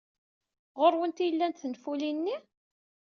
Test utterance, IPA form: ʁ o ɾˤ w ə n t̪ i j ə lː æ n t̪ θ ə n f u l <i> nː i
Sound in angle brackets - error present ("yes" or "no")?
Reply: no